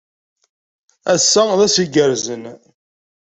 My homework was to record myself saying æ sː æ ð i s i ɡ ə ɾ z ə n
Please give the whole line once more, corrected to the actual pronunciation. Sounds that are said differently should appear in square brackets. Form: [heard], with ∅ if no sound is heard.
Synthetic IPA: æ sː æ ð [æ] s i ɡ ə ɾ z ə n

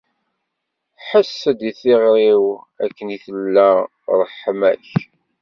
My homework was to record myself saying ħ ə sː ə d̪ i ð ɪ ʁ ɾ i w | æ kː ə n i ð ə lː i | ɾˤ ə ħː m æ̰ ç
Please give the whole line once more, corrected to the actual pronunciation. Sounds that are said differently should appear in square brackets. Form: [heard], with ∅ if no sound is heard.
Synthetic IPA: ħ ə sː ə d̪ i [θ] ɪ ʁ ɾ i w | æ kː ə n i [θ] ə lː [æ] | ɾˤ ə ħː m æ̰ ç

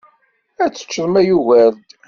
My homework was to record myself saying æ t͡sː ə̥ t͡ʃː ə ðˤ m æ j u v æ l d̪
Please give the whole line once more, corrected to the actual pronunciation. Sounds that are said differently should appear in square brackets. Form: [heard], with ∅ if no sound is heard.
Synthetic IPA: æ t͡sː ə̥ t͡ʃː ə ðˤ m æ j u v æ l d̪

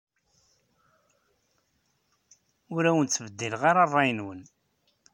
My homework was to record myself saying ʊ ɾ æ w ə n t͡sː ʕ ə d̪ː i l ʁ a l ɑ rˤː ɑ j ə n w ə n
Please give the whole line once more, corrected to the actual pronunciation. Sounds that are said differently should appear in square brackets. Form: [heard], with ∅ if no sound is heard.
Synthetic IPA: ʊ ɾ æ w ə n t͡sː [v] ə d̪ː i l ʁ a [ɾ] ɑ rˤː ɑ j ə n w ə n

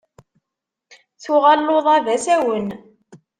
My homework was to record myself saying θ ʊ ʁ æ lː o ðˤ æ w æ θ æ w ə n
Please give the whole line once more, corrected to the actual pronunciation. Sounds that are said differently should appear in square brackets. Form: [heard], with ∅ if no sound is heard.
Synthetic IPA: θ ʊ ʁ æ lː o ðˤ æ [v] æ [s] æ w ə n

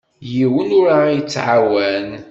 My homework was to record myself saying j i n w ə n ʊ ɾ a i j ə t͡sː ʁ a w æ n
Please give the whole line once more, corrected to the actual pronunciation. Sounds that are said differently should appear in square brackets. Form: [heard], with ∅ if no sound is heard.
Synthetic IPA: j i [∅] w ə n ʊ ɾ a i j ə t͡sː [ʕ] a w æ n

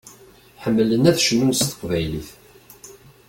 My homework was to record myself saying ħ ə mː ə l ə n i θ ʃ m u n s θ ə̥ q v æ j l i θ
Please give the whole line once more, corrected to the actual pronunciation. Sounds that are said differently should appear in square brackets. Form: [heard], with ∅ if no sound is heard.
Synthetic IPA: ħ ə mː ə l ə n [æ] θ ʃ [n] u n s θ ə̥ q v æ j l i θ

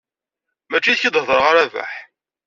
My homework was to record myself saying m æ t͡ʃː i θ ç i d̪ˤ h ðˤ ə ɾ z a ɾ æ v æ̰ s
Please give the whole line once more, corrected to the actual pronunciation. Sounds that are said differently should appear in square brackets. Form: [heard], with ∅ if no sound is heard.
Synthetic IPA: m æ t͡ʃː i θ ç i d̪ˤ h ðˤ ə ɾ [ʁ] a ɾ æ v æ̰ [ħ]

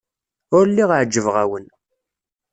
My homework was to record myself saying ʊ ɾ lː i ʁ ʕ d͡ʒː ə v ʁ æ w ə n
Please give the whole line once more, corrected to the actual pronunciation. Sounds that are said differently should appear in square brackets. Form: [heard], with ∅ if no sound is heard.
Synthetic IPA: ʊ ɾ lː i ʁ ʕ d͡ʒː ə v ʁ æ w ə n

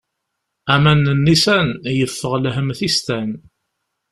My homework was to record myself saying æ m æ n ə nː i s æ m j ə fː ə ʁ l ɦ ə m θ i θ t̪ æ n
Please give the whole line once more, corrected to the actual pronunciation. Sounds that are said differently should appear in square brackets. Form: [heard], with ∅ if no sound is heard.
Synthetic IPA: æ m æ n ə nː i s æ [n] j ə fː ə ʁ l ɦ ə m θ i [s] t̪ æ n

